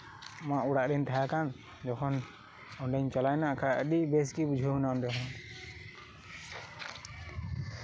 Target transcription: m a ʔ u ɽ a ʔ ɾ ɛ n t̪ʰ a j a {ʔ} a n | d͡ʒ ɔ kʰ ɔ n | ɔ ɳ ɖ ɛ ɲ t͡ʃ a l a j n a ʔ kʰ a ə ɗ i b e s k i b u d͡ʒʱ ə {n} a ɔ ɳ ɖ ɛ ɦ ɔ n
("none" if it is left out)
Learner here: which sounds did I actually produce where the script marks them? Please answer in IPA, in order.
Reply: k, n

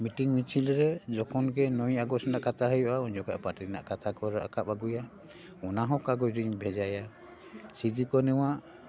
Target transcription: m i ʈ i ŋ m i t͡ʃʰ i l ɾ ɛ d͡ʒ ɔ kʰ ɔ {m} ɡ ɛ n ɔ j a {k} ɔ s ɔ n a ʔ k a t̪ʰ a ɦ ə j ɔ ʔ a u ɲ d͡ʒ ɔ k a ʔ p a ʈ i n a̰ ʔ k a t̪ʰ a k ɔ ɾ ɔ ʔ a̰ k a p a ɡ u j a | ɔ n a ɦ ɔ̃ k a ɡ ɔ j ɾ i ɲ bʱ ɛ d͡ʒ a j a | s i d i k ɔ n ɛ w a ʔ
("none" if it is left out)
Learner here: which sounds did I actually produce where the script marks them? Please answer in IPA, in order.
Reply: n, ɡ

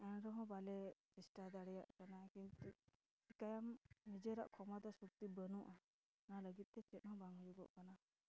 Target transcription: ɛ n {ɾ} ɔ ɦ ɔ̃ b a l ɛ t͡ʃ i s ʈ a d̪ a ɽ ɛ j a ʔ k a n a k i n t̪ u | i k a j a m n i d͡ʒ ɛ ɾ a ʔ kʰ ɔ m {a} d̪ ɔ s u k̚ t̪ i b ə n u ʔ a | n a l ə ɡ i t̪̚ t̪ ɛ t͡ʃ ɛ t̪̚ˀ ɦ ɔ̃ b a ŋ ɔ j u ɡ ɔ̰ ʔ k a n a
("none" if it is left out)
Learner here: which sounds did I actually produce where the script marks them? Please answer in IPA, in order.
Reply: ɾ, a

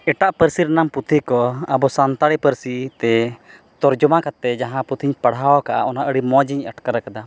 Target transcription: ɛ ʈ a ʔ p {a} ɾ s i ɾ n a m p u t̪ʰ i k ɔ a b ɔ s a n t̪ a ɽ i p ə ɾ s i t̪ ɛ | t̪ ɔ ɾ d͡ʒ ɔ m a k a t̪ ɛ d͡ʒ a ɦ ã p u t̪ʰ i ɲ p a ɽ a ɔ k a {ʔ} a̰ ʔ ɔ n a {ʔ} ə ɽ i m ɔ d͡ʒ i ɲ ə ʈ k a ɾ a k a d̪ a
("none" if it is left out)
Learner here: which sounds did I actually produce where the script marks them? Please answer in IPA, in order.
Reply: ə, ʔ, ʔ

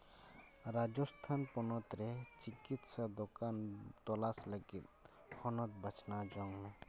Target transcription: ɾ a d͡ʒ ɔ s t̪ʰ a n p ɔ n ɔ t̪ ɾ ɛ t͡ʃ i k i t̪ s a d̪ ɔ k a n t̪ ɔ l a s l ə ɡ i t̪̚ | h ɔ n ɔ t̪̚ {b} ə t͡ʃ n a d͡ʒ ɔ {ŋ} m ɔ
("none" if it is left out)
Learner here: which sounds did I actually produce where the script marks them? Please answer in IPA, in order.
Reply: b, ŋ

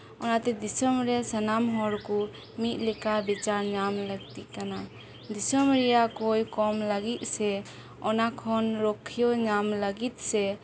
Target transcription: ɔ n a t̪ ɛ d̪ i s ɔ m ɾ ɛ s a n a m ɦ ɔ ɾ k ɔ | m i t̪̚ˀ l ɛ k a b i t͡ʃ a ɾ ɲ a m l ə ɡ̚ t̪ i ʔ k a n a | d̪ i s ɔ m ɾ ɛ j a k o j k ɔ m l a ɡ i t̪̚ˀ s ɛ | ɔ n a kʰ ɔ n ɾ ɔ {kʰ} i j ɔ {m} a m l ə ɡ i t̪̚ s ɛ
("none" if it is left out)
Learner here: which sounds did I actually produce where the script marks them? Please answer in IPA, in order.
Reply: kʰ, ɲ

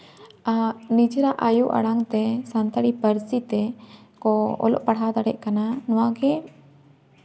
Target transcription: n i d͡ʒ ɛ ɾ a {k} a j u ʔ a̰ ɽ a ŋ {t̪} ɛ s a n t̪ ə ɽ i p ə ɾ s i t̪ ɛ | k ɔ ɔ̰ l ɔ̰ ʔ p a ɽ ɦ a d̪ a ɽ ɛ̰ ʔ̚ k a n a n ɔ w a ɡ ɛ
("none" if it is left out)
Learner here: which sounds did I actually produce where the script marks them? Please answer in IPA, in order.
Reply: ʔ, t̪

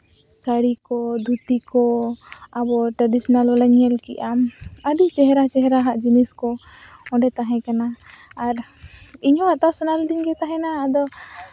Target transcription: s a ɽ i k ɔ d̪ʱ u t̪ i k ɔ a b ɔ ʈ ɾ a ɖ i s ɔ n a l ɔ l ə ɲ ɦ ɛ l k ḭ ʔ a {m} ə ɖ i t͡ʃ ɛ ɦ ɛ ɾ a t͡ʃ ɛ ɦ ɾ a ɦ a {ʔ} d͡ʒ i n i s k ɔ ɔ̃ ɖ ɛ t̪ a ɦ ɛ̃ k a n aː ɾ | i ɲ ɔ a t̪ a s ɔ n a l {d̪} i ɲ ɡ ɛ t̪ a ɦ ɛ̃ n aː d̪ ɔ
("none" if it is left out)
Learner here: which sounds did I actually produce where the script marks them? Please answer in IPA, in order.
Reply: m, ʔ, d̪

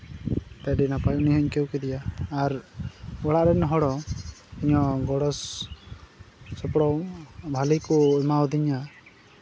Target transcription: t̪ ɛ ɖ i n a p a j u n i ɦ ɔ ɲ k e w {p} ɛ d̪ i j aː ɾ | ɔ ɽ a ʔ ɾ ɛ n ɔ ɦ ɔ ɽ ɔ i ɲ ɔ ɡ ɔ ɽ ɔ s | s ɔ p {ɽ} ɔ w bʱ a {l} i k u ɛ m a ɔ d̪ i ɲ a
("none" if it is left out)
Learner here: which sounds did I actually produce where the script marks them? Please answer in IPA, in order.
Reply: k, ɽ, l

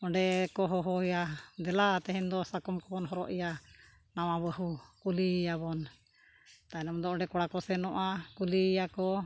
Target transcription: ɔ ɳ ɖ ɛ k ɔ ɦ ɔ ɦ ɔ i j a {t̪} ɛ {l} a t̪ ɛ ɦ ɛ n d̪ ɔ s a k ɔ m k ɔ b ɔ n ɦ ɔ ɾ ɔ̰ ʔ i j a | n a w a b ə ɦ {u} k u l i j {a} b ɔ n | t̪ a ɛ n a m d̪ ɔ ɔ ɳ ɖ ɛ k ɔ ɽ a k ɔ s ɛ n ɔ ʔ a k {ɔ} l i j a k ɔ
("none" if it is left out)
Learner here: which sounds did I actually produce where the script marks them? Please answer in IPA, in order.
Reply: d̪, l, u, a, u

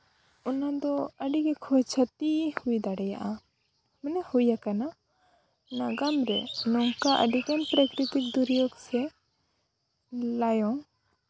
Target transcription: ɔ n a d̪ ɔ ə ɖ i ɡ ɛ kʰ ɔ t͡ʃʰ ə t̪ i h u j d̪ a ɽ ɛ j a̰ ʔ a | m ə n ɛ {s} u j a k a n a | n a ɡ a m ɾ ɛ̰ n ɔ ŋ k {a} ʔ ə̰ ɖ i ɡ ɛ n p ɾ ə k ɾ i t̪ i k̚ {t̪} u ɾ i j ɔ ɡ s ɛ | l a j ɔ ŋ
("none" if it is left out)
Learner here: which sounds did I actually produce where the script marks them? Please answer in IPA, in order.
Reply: h, a, d̪

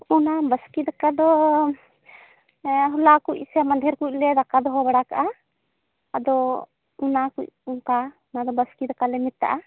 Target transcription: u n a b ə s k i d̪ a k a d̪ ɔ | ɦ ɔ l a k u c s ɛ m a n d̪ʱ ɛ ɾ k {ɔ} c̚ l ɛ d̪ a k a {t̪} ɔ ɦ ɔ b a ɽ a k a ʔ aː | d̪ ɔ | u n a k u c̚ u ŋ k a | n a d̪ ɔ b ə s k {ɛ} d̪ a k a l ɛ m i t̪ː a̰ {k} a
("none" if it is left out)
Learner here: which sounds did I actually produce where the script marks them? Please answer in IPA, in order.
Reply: u, d̪, i, ʔ

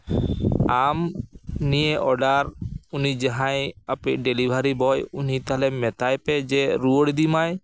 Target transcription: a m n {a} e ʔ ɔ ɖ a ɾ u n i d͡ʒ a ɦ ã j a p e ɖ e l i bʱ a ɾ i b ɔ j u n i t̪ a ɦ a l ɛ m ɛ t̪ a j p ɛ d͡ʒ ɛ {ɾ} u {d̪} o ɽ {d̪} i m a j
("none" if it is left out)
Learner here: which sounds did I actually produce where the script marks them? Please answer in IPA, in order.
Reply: i, ɾ, none, d̪

